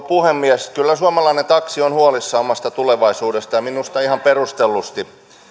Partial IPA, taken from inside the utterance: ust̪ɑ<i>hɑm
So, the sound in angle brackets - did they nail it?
yes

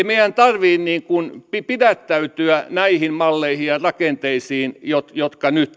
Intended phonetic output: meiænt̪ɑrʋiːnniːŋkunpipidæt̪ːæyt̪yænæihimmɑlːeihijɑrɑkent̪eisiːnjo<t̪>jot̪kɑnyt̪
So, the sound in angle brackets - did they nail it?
yes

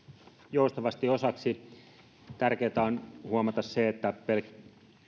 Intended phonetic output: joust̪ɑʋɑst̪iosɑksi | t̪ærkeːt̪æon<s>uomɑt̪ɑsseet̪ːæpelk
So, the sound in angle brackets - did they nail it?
no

